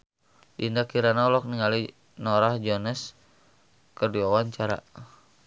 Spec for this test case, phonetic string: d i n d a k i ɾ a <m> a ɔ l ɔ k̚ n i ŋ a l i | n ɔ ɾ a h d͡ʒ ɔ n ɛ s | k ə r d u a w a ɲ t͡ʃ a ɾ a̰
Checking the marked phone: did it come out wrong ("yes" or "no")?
yes